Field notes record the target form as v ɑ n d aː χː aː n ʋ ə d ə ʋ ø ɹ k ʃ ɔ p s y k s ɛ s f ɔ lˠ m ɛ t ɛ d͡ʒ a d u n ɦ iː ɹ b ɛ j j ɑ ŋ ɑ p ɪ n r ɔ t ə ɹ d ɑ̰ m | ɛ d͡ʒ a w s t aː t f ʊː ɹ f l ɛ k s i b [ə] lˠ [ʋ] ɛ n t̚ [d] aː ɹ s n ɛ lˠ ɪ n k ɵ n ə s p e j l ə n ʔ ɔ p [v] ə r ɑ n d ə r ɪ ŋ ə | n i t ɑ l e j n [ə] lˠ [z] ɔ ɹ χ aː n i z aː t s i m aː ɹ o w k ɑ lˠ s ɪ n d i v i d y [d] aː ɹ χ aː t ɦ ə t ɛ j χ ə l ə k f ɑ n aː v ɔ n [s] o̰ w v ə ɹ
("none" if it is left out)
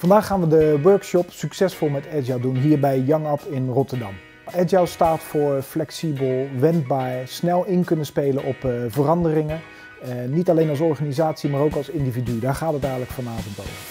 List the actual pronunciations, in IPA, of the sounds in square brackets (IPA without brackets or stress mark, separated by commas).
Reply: ə, ʋ, b, v, ɑ, s, d, t